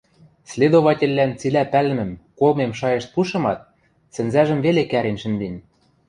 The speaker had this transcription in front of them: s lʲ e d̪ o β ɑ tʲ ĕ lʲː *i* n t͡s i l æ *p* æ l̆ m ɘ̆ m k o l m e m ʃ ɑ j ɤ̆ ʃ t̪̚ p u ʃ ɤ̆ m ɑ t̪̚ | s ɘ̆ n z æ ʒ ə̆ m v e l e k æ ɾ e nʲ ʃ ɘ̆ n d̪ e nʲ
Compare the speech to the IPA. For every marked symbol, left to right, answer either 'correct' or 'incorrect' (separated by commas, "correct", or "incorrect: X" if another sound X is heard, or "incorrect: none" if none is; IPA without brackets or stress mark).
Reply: incorrect: æ, correct